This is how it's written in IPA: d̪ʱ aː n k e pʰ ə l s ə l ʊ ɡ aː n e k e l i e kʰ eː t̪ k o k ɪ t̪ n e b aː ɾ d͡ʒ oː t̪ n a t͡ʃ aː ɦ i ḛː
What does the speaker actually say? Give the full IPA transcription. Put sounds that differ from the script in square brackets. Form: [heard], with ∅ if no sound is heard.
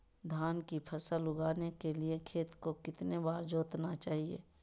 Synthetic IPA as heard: d̪ʱ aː n k [i] pʰ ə [∅] s ə l ʊ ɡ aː n e k e l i e kʰ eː t̪ k o k ɪ t̪ n e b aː ɾ d͡ʒ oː t̪ n a t͡ʃ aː ɦ i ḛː